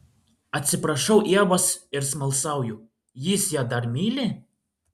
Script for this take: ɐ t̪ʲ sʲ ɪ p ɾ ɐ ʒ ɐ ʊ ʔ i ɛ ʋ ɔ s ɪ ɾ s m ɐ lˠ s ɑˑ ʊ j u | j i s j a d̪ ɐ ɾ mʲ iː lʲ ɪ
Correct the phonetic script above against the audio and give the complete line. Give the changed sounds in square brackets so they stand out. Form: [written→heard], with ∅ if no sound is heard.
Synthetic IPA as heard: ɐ t̪ʲ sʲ ɪ p ɾ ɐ [ʒ→ʃ] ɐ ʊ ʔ i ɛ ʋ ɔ s ɪ ɾ s m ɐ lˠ s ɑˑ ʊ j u | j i s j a d̪ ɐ ɾ mʲ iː lʲ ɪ